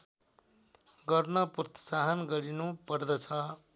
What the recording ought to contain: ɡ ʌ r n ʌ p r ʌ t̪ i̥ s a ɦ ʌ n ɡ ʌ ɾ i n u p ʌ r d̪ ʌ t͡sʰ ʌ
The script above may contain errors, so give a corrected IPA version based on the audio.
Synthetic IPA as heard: ɡ ʌ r n ʌ p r ʌ t̪ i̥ s a ɦ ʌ n ɡ ʌ ɾ i n u p ʌ r d̪ ʌ t͡sʰ ʌ